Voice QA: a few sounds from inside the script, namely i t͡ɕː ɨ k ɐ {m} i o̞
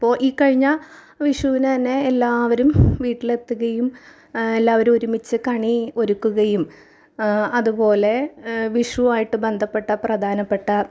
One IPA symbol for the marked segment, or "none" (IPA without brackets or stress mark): ɳ